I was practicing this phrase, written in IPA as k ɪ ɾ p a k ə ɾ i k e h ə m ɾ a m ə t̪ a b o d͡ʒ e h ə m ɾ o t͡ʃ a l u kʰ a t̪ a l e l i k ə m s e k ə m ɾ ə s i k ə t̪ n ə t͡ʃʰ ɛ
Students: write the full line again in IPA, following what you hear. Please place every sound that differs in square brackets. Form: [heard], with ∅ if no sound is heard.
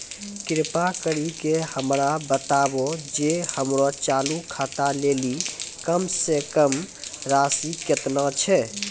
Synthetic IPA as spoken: k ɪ ɾ p a k ə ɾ i k e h ə m ɾ a [b] ə t̪ a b o d͡ʒ e h ə m ɾ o t͡ʃ a l u kʰ a t̪ a l e l i k ə m s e k ə m ɾ [a] s i k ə t̪ n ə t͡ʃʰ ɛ